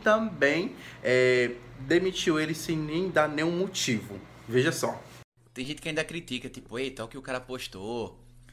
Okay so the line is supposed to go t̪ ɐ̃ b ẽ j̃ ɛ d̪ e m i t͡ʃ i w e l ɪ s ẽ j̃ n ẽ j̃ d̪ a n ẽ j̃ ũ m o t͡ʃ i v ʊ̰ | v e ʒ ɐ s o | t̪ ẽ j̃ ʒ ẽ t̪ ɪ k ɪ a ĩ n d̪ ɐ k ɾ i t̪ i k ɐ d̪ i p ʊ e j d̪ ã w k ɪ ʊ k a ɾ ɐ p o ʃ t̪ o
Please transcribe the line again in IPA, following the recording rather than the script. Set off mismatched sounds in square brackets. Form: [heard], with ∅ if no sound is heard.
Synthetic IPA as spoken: t̪ ɐ̃ b ẽ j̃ ɛ d̪ e m i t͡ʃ i w e l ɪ s ẽ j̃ n ẽ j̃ d̪ a n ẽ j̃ ũ m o t͡ʃ i v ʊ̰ | v e ʒ ɐ s [ɔ] | t̪ ẽ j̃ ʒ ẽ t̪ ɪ k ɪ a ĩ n d̪ ɐ k ɾ i t̪ i k ɐ [t̪] i p ʊ e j [t̪] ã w k ɪ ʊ k a ɾ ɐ p o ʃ t̪ o